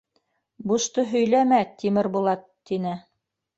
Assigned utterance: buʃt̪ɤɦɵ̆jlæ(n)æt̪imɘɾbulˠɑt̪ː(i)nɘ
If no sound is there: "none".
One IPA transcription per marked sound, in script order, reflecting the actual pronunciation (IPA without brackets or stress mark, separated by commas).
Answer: m, i